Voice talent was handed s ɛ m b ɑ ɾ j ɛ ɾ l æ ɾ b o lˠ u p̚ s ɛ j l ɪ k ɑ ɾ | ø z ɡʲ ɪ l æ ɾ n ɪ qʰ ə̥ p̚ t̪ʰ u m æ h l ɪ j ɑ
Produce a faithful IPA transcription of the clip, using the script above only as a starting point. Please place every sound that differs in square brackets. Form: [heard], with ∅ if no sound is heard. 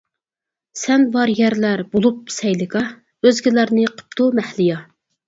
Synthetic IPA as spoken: s ɛ [n] b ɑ ɾ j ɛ ɾ l æ ɾ b o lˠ u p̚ s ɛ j l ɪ k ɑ [∅] | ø z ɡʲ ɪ l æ ɾ n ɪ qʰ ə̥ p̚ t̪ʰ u m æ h l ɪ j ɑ